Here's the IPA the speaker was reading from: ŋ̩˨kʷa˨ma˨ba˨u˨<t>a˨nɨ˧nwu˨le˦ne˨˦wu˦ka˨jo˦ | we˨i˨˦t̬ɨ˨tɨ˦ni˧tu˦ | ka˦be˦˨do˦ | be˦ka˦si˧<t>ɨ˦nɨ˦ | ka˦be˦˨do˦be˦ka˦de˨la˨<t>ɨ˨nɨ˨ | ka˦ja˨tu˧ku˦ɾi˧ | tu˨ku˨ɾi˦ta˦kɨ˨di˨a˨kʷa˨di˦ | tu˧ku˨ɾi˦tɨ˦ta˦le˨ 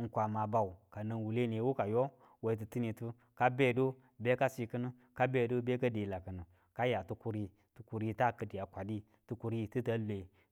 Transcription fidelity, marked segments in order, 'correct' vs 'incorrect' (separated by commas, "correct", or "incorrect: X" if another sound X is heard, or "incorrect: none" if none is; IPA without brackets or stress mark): incorrect: k, incorrect: k, incorrect: k